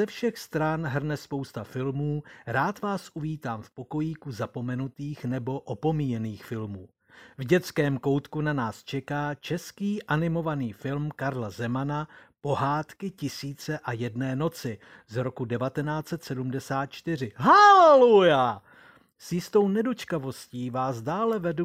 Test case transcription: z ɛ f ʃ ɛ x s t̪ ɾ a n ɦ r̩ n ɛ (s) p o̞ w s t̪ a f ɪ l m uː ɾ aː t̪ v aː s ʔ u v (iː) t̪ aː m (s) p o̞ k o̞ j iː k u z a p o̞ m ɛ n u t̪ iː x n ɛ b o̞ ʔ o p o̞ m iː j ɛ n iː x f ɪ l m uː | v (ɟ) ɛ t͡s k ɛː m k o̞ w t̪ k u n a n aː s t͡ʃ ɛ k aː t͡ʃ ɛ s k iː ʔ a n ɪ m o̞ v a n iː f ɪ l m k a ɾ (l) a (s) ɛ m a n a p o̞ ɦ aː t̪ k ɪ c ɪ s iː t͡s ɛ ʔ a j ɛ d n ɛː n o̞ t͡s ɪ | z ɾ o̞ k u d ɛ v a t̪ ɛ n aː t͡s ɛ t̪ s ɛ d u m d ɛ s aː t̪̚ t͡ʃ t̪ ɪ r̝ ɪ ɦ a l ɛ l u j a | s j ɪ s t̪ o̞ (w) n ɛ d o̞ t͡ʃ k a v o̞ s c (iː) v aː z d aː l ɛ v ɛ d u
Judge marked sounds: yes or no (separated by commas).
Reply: yes, yes, no, yes, yes, no, yes, yes